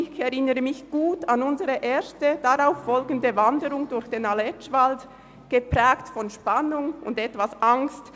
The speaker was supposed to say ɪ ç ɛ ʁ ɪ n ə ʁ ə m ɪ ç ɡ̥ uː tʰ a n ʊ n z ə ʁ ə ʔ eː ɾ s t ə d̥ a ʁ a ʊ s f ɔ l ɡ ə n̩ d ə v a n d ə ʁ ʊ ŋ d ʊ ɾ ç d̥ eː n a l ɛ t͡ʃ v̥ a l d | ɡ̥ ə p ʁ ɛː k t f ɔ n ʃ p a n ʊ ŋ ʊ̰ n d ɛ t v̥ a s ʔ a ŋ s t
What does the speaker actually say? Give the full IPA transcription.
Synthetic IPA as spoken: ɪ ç ɛ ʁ ɪ n ə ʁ ə m ɪ ç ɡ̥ uː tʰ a n ʊ n z ə ʁ ə ʔ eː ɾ s t ə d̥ a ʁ a ʊ f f ɔ l ɡ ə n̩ d ə v a n d ə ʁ ʊ ŋ d ʊ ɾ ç d̥ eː n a l ɛ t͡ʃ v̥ a l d | ɡ̥ ə p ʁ ɛː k t f ɔ n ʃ p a n ʊ ŋ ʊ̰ n d ɛ t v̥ a s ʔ a ŋ s t